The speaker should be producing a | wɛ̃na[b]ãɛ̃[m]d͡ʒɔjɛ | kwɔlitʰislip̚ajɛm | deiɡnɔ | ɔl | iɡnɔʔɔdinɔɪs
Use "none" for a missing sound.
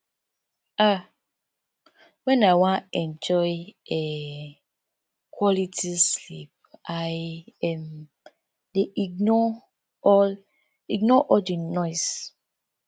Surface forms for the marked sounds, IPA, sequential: w, n

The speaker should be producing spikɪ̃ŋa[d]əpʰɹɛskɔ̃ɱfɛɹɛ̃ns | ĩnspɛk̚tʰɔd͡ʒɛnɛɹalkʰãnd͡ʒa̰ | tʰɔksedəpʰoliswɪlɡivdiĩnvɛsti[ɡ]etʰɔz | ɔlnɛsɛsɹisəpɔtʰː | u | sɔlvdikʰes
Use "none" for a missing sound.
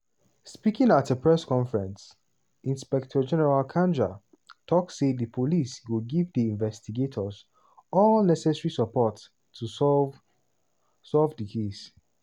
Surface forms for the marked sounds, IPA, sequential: t, ɡ

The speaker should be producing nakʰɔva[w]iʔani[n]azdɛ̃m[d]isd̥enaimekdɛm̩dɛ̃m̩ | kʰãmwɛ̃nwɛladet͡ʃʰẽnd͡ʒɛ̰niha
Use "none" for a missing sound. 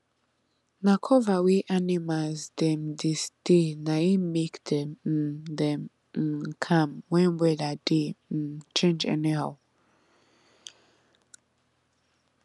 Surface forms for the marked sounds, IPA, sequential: w, m, d

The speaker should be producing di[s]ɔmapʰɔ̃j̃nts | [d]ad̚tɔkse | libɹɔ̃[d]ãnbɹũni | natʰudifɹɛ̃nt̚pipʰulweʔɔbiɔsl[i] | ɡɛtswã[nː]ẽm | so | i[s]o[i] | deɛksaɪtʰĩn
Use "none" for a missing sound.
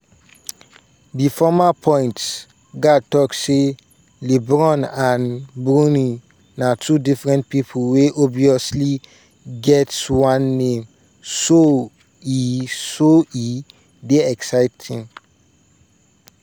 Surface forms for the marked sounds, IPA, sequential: f, ɡ, n, i, nː, s, i

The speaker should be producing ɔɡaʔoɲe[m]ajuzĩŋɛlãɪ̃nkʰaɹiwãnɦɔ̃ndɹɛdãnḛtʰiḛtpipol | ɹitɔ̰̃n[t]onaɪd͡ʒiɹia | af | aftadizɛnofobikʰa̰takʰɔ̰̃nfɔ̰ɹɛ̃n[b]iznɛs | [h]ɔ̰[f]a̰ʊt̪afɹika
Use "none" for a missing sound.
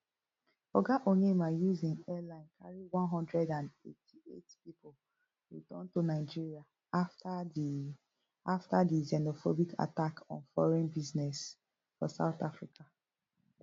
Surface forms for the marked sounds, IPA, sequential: m, t, b, f, s

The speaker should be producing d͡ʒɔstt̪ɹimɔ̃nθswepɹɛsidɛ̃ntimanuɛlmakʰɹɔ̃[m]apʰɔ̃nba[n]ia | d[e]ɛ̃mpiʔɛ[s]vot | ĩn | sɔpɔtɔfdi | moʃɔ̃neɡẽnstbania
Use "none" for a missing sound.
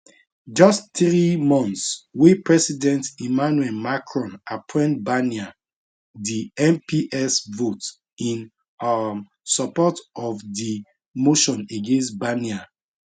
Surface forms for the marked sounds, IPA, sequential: n, n, i, s

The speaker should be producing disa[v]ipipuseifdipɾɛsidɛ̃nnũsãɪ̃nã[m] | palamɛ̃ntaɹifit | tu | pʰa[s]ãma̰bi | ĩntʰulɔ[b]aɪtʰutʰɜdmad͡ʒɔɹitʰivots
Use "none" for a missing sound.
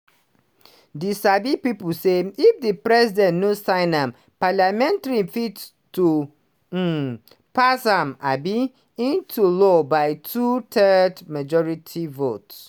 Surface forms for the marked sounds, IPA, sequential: b, m, s, b

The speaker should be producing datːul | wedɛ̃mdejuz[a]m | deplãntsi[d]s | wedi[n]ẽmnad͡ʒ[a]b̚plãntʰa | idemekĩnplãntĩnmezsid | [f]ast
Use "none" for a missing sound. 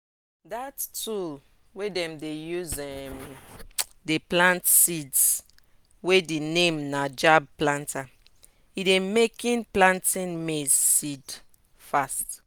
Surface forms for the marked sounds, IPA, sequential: ɛ, d, n, a, f

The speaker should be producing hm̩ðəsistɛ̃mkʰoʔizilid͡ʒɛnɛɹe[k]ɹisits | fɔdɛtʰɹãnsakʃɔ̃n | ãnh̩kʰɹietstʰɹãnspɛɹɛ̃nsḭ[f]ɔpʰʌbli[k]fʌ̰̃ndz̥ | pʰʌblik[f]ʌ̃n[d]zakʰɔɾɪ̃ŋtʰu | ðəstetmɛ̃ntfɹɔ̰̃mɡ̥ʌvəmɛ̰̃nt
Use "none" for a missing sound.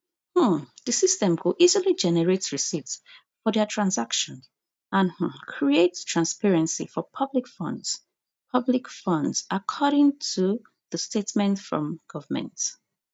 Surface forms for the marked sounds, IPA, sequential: t, f, k, f, d

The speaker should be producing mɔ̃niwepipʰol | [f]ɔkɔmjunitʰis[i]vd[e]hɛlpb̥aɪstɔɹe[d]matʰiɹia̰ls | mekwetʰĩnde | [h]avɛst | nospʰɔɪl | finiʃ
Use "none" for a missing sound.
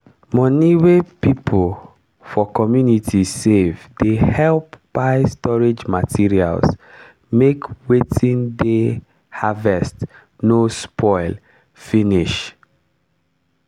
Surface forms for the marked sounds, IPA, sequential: f, e, e, d͡ʒ, h

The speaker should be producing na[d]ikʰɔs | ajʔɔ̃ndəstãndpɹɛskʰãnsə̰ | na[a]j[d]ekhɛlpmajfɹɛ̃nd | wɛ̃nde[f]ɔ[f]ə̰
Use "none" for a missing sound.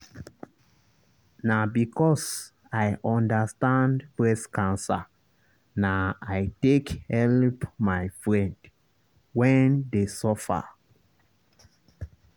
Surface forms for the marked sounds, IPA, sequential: b, a, t, s, f

